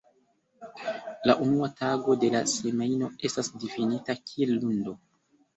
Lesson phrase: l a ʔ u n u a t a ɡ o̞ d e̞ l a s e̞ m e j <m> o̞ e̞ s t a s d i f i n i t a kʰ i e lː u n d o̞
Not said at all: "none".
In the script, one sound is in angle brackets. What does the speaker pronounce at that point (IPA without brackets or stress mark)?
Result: n